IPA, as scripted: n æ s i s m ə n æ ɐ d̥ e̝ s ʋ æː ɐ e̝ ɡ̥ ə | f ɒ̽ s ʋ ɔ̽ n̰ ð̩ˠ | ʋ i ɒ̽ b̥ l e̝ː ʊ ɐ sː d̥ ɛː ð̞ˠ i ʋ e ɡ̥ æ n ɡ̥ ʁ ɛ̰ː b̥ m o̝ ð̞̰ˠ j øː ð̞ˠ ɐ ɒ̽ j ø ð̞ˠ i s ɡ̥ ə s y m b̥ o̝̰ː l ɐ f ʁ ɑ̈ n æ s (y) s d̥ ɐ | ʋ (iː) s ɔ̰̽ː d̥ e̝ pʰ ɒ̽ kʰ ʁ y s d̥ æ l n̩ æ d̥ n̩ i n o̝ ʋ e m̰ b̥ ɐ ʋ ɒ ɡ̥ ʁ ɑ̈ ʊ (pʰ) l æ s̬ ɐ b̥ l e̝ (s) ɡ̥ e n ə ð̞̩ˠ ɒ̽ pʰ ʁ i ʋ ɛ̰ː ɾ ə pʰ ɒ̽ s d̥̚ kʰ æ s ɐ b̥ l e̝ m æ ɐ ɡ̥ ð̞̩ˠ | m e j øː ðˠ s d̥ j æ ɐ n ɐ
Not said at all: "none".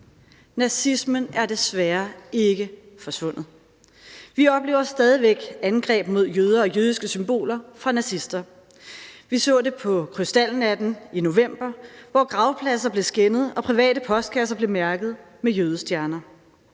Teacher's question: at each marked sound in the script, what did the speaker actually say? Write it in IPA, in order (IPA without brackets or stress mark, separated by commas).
i, i, pʰ, s